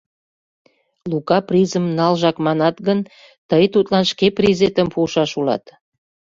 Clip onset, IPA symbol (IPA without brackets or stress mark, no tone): l